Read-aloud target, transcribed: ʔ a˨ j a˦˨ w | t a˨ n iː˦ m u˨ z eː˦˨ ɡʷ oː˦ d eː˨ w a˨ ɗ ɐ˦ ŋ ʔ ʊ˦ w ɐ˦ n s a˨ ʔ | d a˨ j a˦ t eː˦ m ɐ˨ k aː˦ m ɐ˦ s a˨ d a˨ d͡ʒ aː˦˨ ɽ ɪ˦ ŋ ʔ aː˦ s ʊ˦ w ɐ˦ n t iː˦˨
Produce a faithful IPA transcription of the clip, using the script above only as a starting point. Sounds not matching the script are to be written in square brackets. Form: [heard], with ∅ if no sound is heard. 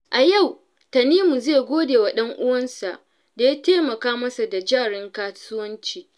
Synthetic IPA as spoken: ʔ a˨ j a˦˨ w | t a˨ n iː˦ m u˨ z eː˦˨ ɡʷ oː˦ d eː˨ w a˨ ɗ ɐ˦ ŋ ʔ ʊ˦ w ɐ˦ n s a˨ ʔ | d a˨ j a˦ t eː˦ m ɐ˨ k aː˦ m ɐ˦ s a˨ d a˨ d͡ʒ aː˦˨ ɽ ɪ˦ ŋ [k] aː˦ s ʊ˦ w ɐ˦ n [t͡ʃ] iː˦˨